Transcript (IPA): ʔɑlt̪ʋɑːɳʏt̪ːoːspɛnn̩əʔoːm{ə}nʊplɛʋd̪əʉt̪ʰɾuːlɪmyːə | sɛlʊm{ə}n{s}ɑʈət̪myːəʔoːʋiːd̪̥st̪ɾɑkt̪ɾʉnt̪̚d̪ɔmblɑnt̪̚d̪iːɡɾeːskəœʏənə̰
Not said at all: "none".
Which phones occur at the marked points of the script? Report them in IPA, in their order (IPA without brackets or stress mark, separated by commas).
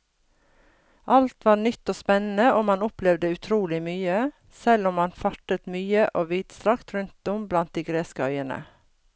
ɑ, ɑ, f